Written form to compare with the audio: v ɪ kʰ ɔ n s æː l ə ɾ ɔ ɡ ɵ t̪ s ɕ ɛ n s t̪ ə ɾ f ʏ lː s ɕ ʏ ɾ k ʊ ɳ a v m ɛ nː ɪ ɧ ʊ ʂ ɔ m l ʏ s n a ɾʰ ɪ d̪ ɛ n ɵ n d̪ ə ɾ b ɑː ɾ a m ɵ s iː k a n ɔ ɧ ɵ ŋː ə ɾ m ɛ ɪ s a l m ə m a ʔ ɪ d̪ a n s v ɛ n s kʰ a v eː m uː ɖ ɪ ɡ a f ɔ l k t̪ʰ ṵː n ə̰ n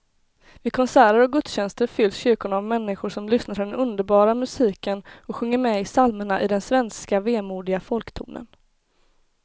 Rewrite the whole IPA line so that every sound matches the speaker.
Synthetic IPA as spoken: v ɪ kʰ ɔ n s æː ɾ ə ɾ ɔ ɡ ɵ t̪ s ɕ ɛ n s t̪ ə ɾ f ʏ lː s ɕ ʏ ɾ k ʊ ɳ a v m ɛ nː ɪ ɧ ʊ ʂ ɔ m l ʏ s n a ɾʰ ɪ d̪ ɛ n ɵ n d̪ ə ɾ b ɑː ɾ a m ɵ s iː k ə n ɔ ɧ ɵ ŋː ə ɾ m ɛ ɪ s a l m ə ɳ a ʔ ɪ d̪ ɛ n s v ɛ n s k a v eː m uː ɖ ɪ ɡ a f ɔ l k t̪ʰ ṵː n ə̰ n